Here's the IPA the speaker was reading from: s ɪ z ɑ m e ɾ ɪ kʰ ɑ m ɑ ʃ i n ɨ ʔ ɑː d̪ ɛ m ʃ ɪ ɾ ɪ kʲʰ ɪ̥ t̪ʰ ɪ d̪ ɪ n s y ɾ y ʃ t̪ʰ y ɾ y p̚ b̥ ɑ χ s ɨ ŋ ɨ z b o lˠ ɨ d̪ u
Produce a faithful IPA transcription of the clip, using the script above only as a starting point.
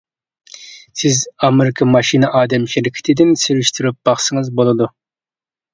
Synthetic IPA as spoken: s ɪ z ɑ m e ɾ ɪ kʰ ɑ m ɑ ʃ i n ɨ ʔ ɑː d̪ ɛ m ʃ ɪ ɾ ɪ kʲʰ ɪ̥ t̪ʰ ɪ d̪ ɪ n s y ɾ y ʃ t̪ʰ y ɾ y p̚ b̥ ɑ χ s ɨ ŋ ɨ z b o lˠ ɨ d̪ u